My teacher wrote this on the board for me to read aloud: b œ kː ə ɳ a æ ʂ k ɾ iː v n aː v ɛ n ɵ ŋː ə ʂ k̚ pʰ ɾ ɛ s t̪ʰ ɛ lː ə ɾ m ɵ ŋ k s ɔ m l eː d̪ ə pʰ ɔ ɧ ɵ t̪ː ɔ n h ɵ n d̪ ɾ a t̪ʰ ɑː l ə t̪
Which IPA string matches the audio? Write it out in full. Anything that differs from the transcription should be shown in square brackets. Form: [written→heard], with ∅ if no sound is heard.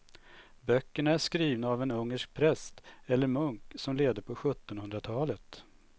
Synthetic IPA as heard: b œ kː ə ɳ a æ ʂ k ɾ iː v n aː v ɛ n ɵ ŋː ə ʂ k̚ pʰ ɾ ɛ s [t̪ʰ→t̪] ɛ lː ə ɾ m ɵ ŋ k s ɔ m l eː d̪ ə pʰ ɔ ɧ ɵ t̪ː ɔ n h ɵ n d̪ ɾ a t̪ʰ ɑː l ə t̪